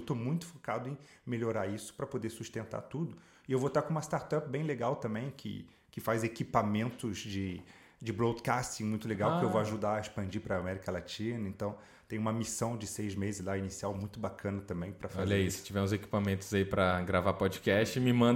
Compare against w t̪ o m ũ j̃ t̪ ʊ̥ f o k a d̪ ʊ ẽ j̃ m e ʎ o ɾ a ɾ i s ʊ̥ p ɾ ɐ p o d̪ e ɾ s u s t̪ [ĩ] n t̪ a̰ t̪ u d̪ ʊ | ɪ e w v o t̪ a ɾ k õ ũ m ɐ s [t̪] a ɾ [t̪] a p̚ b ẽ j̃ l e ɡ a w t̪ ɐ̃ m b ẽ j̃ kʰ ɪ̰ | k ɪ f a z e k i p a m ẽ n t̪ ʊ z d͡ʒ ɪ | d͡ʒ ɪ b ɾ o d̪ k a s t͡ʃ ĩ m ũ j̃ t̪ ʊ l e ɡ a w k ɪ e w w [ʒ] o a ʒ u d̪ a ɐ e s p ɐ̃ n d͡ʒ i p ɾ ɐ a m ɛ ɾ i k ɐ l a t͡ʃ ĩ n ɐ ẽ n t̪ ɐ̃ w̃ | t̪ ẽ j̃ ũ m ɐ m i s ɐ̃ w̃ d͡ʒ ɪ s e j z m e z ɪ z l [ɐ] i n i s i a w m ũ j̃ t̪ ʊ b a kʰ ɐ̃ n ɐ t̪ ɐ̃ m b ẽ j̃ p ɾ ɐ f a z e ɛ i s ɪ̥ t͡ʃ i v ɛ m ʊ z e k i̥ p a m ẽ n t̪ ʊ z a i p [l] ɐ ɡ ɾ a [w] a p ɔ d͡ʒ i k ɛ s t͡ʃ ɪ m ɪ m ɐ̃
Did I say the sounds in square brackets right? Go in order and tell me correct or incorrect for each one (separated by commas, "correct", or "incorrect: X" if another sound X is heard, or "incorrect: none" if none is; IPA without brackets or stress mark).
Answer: incorrect: ẽ, correct, correct, incorrect: v, incorrect: a, incorrect: ɾ, incorrect: v